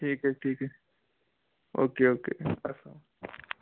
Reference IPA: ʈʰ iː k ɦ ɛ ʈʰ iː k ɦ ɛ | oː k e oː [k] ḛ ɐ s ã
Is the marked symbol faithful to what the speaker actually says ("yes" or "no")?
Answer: yes